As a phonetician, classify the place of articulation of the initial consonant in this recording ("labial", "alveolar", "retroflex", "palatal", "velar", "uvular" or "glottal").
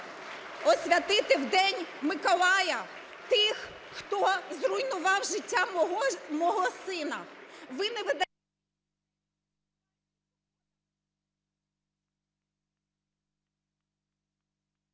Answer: alveolar